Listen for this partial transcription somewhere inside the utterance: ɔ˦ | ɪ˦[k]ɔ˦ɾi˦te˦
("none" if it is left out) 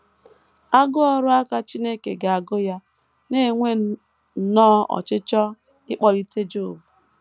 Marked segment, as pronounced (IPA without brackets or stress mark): k͡p